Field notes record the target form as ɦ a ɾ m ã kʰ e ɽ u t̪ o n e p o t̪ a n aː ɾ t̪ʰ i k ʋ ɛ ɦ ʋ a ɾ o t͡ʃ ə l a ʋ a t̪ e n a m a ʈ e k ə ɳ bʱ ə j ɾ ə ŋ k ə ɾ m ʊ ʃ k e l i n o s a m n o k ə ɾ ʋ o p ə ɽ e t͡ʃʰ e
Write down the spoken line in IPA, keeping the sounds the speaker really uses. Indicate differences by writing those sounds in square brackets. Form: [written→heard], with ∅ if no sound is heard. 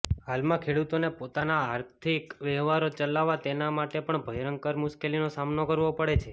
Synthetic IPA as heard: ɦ a [ɾ→l] m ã kʰ e ɽ u t̪ o n e p o t̪ a n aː ɾ t̪ʰ i k ʋ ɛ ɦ ʋ a ɾ o t͡ʃ ə l a ʋ a t̪ e n a m a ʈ e [k→p] ə ɳ bʱ ə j ɾ ə ŋ k ə ɾ m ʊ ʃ k e l i n o s a m n o k ə ɾ ʋ o p ə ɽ e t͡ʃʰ e